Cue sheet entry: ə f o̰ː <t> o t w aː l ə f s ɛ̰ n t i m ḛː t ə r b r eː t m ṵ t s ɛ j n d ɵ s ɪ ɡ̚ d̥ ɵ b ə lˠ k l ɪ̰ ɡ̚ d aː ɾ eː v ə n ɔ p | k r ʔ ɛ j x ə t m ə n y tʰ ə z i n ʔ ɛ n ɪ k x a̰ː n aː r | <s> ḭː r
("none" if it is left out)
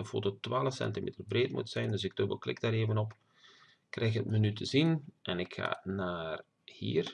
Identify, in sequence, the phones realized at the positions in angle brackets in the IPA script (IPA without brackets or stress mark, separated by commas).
t, h